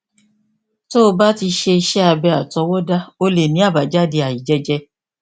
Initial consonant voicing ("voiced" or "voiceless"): voiceless